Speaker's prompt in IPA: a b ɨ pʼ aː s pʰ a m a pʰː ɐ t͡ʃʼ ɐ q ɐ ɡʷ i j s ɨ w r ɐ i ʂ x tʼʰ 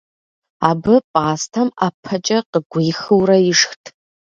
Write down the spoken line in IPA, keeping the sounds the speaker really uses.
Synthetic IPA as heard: a b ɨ pʼ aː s tʰ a m a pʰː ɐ t͡ʃʼ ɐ q ə ɡʷ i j x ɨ w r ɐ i ʂ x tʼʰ